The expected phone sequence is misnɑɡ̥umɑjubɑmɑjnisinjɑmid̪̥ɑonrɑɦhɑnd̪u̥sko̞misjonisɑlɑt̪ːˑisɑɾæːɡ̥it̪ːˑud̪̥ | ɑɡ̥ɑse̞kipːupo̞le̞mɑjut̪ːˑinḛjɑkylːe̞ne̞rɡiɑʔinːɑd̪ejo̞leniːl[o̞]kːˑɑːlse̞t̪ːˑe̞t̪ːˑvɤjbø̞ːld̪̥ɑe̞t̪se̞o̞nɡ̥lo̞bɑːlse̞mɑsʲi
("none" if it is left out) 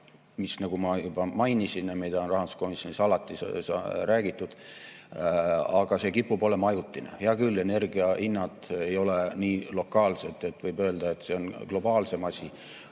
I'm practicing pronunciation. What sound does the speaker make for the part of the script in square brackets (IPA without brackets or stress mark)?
o̞